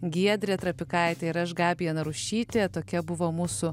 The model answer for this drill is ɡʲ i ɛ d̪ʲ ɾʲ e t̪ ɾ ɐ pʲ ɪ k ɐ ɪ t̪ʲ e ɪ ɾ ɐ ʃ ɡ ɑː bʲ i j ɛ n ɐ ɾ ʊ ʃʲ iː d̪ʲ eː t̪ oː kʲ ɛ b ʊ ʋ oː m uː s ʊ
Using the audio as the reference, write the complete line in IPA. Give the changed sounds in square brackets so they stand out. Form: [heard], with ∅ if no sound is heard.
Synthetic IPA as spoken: ɡʲ i ɛ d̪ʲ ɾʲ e t̪ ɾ ɐ pʲ ɪ k ɐ ɪ t̪ʲ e ɪ ɾ ɐ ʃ ɡ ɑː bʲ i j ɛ n ɐ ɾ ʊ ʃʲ iː [t̪ʲ] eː t̪ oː kʲ ɛ b ʊ ʋ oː m uː s ʊ